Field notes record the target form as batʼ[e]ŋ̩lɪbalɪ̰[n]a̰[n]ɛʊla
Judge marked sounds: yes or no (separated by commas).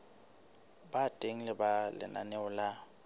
yes, yes, yes